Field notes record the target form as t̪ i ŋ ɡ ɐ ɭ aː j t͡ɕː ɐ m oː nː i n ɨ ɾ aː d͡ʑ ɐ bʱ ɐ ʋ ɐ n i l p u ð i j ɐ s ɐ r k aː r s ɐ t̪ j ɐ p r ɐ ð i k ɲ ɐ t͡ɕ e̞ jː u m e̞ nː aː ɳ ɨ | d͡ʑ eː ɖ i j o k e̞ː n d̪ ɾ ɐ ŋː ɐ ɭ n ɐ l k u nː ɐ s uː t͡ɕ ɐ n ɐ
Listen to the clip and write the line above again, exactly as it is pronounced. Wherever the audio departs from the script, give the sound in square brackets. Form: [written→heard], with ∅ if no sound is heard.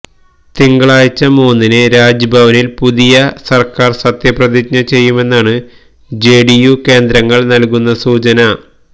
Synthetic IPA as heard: t̪ i ŋ ɡ ɐ ɭ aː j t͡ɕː ɐ m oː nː i n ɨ ɾ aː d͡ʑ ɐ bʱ ɐ ʋ ɐ n i l p u ð i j ɐ s ɐ r k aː r s ɐ t̪ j ɐ p r ɐ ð i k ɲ ɐ t͡ɕ e̞ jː u m e̞ nː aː ɳ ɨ | d͡ʑ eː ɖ i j [o→u] k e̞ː n d̪ ɾ ɐ ŋː ɐ ɭ n ɐ l k u nː ɐ s uː t͡ɕ ɐ n ɐ

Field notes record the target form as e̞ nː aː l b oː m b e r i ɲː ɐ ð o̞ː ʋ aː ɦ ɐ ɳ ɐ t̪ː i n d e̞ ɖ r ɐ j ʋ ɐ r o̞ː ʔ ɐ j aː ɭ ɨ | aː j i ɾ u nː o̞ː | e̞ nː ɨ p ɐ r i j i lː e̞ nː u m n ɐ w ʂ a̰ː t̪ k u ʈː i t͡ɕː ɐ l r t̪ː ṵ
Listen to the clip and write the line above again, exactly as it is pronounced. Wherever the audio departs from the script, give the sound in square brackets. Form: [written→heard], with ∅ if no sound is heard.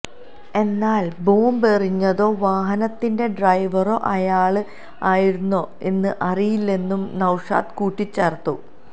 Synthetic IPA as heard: e̞ nː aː l b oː m b e r i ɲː ɐ ð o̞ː ʋ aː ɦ ɐ [ɳ→n] ɐ t̪ː i n d e̞ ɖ r ɐ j ʋ ɐ r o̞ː ʔ ɐ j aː ɭ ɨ | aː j i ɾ u nː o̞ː | e̞ nː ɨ [p→ʔ] ɐ r i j i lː e̞ nː u m n ɐ w ʂ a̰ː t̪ k [u→uː] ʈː i t͡ɕː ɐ [l→∅] r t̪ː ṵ

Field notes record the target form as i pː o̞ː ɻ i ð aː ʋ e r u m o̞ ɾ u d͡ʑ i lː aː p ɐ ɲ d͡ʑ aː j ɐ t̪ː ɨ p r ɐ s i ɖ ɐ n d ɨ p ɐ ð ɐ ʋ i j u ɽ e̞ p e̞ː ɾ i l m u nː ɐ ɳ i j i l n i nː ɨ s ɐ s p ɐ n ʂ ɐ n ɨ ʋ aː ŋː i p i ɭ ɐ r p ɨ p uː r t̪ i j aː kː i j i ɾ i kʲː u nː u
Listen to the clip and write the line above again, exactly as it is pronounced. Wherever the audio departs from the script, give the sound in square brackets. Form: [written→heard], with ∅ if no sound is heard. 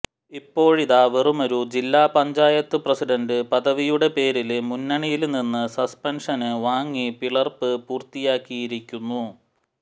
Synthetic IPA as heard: i pː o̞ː ɻ i ð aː ʋ e r u m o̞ ɾ u d͡ʑ i lː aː p ɐ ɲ d͡ʑ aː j ɐ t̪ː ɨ p r ɐ s i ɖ ɐ n d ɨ p ɐ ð ɐ ʋ i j u ɽ e̞ p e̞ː ɾ i l m u nː ɐ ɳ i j i l n i nː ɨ s ɐ s p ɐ n ʂ ɐ n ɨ ʋ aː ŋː i p i ɭ ɐ r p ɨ p uː r t̪ i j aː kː i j i ɾ i kʲː u nː u

